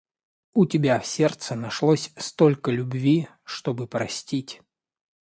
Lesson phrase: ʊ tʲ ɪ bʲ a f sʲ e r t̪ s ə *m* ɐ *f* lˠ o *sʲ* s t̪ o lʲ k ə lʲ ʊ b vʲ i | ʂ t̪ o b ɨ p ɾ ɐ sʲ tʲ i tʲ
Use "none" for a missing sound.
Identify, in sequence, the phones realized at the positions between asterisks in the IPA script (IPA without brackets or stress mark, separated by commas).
n, ʂ, sʲ